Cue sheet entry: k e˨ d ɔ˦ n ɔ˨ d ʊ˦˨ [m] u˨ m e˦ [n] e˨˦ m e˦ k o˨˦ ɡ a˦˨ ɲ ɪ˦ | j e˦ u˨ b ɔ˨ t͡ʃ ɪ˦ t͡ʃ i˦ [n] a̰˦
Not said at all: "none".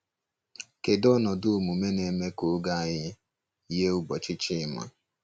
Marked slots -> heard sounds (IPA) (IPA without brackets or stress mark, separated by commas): m, n, m